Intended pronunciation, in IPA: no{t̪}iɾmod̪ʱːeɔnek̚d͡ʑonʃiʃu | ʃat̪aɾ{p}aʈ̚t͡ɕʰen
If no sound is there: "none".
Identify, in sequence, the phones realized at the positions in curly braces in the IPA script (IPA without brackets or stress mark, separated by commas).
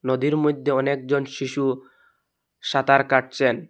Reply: d̪, k